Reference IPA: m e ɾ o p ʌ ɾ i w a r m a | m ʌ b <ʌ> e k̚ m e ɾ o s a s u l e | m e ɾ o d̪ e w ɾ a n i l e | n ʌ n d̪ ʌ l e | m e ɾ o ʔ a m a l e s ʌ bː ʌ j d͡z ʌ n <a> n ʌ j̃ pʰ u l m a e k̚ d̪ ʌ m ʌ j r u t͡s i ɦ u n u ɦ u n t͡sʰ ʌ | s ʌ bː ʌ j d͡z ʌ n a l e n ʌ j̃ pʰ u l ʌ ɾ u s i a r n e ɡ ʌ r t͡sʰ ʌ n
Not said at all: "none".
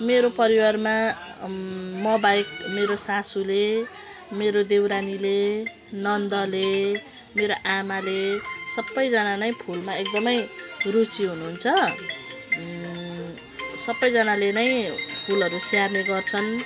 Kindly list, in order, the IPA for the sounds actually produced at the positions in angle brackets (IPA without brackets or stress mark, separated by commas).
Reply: a, a